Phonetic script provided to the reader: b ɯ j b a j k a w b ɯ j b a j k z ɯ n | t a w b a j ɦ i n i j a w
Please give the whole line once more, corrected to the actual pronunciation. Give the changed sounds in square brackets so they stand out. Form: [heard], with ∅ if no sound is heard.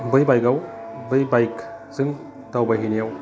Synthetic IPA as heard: b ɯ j b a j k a w b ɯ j b a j k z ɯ [ŋ] | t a w b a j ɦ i n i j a w